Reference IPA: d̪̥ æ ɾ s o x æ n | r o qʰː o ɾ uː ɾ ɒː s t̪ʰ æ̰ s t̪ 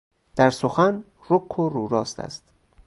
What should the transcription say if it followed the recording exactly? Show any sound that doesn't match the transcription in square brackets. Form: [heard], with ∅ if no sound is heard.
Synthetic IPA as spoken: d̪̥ æ ɾ s o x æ n | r o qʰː o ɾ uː ɾ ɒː s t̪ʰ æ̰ s t̪